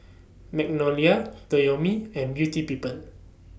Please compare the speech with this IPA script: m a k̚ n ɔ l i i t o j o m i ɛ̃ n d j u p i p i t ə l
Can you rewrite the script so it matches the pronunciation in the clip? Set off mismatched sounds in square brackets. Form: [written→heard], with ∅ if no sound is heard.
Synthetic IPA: m [a→ɛ] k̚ n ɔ l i [i→a] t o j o m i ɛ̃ n [d→b] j u [p→t] i p i [t→p] ə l